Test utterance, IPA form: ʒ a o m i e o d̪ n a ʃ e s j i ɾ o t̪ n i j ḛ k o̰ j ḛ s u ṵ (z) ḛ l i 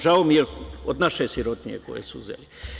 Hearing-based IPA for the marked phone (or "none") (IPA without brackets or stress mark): z